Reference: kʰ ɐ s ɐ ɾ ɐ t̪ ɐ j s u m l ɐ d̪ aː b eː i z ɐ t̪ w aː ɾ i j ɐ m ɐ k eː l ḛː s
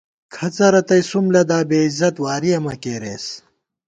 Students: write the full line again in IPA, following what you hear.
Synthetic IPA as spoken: kʰ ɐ t͡s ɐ ɾ ɐ t̪ ɐ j s u m l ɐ d̪ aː b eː i z ɐ t̪ w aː ɾ i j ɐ m ɐ k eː ɾ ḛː s